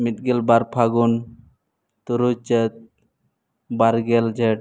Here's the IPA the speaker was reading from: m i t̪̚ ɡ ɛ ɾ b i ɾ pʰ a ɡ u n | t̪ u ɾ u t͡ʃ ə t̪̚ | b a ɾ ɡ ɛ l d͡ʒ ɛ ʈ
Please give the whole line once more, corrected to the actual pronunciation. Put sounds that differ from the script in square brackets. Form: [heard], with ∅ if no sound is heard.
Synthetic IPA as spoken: m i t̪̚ ɡ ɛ [l] b [a] ɾ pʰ a ɡ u n | t̪ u ɾ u t͡ʃ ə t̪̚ | b a ɾ ɡ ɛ l d͡ʒ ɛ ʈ